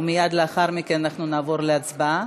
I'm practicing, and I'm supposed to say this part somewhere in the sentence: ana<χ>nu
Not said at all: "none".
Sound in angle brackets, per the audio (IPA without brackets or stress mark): χ